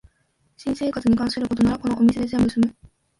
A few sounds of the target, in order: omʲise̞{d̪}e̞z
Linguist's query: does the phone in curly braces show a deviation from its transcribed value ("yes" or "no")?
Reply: no